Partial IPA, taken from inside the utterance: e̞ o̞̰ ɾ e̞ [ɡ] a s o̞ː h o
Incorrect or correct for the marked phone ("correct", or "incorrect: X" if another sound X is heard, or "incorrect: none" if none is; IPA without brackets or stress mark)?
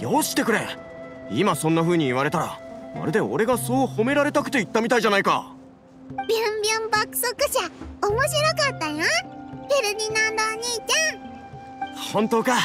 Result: correct